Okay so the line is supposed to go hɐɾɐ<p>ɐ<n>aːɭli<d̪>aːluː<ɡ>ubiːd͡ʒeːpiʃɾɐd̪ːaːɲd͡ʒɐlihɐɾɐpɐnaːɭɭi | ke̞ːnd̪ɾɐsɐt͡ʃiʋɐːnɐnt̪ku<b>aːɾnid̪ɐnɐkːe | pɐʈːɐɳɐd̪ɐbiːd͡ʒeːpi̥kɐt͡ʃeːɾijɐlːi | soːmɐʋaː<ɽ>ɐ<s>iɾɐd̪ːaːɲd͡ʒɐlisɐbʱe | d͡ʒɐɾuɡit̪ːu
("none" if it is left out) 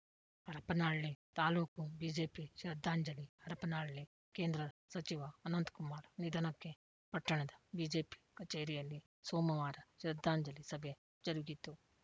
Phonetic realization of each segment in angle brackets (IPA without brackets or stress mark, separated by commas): p, n, t̪, k, m, ɾ, ʃ